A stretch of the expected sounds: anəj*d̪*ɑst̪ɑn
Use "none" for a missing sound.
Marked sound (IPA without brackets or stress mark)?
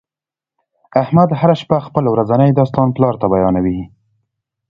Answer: d̪